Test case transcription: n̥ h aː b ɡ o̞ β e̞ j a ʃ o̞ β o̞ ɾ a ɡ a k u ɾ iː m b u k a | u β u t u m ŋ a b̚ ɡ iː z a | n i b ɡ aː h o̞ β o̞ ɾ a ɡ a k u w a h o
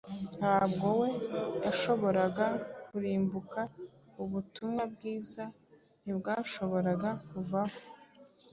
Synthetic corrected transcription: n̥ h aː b ɡ o̞ w e̞ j a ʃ o̞ β o̞ ɾ a ɡ a k u ɾ iː m b u k a | u β u t u m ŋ a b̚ ɡ iː z a | n i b ɡ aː ʃ o̞ β o̞ ɾ a ɡ a k u v a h o

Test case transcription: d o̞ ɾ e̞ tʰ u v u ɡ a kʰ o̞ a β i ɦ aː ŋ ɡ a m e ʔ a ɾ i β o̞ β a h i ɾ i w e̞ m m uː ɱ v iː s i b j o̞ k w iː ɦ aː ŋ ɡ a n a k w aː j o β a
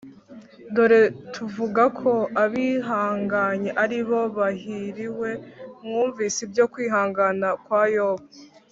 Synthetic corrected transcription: d o̞ ɾ e̞ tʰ u v u ɡ a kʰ o̞ a β i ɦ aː ŋ ɡ a ɲ e ʔ a ɾ i β o̞ β a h i ɾ i w e̞ m ŋ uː ɱ v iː s i b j o̞ k w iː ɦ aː ŋ ɡ a n a k w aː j o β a

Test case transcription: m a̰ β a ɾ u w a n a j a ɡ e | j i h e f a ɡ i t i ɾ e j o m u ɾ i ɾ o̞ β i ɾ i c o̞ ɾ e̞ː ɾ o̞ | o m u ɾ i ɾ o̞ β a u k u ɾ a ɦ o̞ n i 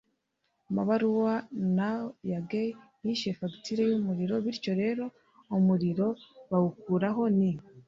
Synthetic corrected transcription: m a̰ β a ɾ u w a n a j a ɡ e | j i ʃ e f a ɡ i t i ɾ e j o m u ɾ i ɾ o̞ β i ɾ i c o̞ ɾ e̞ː ɾ o̞ | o m u ɾ i ɾ o̞ β a u k u ɾ a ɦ o̞ n i

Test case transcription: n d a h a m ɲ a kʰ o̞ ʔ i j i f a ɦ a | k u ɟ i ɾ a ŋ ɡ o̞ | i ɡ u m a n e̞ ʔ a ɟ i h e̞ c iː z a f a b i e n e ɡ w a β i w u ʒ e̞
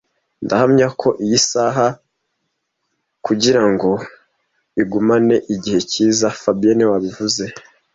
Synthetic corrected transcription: n d a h a m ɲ a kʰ o̞ ʔ i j i s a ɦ a | k u ɟ i ɾ a ŋ ɡ o̞ | i ɡ u m a n e̞ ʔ i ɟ i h e̞ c iː z a f a b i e n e w a β i v u z e̞

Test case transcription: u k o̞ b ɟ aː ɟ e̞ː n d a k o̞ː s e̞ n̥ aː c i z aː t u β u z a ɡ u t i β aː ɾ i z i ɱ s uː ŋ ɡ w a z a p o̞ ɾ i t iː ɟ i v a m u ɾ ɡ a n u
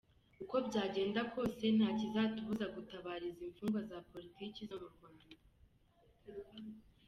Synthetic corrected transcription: u k o̞ b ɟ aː ɟ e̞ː n d a k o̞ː s e̞ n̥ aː c i z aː t u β u z a ɡ u t a β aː ɾ i z i ɱ f uː ŋ ɡ w a z a p o̞ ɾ i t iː c i z a m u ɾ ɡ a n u

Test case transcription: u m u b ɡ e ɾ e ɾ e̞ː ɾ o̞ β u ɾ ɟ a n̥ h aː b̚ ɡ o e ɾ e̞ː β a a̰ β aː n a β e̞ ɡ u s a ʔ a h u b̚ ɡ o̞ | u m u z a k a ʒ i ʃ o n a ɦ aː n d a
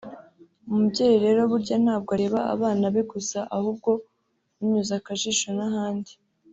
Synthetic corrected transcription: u m u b ɟ e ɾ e ɾ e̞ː ɾ o̞ β u ɾ ɟ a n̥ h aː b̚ ɡ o a ɾ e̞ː β a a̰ β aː n a β e̞ ɡ u s a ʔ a h u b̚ ɡ o̞ | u ɲ u z a k a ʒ i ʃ o n a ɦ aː n d i

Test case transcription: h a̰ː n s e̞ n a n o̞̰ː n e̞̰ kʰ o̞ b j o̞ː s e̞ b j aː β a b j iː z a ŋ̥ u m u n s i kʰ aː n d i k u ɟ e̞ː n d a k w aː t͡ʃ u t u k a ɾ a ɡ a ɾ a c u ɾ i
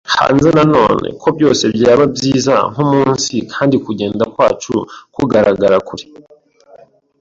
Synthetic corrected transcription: h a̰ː n z e̞ n a n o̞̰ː n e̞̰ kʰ o̞ b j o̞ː s e̞ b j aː β a b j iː z a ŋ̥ u m uː n s i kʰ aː n d i k u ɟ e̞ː n d a k w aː t͡ʃ u k u ɡ a ɾ a ɡ a ɾ a k u ɾ i

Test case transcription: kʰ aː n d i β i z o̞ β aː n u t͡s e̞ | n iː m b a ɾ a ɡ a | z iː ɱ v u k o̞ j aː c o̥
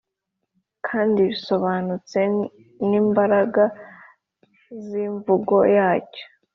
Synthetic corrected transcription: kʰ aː n d i β i s o̞ β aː n u t͡s e̞ | n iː m b a ɾ a ɡ a | z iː ɱ v u ɡ o̞ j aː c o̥

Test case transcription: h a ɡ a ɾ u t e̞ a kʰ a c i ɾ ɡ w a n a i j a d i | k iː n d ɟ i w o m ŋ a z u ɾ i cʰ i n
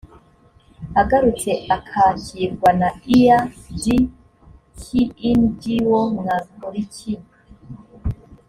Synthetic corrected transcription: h a ɡ a ɾ u t͡s e̞ a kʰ a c i ɾ ɡ w a n a i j a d i | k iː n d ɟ i w o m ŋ a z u ɾ i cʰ i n

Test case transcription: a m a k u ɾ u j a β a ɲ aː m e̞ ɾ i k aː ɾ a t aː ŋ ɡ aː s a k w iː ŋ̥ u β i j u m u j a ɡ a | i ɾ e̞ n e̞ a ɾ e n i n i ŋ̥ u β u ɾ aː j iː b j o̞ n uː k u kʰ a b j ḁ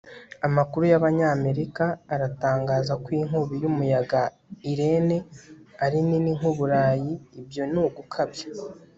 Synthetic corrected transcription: a m a k u ɾ u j a β a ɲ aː m e̞ ɾ i k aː ɾ a t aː ŋ ɡ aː z a k w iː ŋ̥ u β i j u m u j a ɡ a | i ɾ e̞ n e̞ a ɾ i n i n i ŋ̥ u β u ɾ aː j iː b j o̞ n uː ɡ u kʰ a b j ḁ

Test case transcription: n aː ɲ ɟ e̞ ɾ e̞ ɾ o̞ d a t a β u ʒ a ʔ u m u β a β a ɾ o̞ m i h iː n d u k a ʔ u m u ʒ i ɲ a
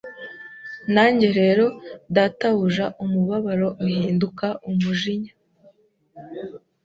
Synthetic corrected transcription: n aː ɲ ɟ e̞ ɾ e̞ ɾ o̞ d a t a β u ʒ a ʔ u m u β a β a ɾ o̞ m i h iː n d u k a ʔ u m u ʒ i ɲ a

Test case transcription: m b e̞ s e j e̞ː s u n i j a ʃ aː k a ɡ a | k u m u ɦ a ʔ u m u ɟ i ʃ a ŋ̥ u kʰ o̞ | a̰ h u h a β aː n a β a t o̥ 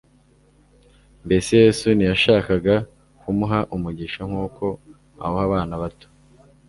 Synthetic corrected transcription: m b e̞ s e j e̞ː s u n i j a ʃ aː k a ɡ a | k u m u ɦ a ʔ u m u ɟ i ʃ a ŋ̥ uː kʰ o̞ | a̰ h o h a β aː n a β a t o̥

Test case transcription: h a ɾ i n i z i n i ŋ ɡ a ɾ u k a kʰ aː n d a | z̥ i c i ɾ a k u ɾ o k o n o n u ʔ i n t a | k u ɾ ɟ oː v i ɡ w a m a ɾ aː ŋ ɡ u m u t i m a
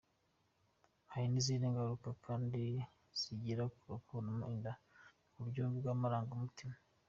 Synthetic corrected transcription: h a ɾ i n i z i n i ŋ ɡ a ɾ u k a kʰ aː n d i | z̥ i ɟ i ɾ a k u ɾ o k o n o m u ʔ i n d a | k u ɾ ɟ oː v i ɡ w a m a ɾ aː ŋ ɡ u m u t i m a

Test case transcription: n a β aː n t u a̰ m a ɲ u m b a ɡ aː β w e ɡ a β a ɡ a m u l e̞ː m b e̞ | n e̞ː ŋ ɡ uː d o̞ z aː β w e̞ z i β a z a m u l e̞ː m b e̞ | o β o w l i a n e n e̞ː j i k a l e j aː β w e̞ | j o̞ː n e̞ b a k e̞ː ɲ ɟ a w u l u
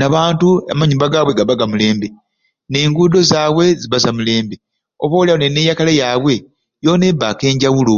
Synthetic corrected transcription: n a β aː n t u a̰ m a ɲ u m b a ɡ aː β w e ɡ a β a ɡ a m u l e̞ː m b e̞ | n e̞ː ŋ ɡ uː d o̞ z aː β w e̞ z i β a z a m u l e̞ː m b e̞ | o β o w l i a n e n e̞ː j a k a l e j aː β w e̞ | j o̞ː n e̞ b a k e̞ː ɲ ɟ a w u l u

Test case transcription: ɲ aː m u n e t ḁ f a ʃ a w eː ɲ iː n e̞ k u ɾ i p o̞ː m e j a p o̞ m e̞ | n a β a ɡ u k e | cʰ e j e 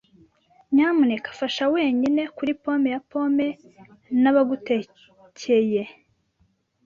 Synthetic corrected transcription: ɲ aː m u n e k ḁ f a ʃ a w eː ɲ i n e̞ k u ɾ i p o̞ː m e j a p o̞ m e̞ | n a β a ɡ u t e | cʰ e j e

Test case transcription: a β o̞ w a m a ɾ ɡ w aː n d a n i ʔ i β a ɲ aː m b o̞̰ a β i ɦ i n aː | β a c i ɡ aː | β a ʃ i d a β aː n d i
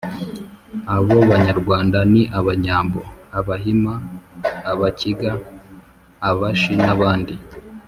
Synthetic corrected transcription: a β o̞ β a ɲ a ɾ ɡ w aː n d a n i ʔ a β a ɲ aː m b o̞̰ a β a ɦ i m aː | β a c i ɡ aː | β a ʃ i n a β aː n d i

